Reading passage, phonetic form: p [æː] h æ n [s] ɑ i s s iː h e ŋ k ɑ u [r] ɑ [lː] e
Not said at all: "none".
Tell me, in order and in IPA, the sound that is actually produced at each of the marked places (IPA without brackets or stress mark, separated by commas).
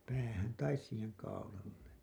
æː, t, l, lː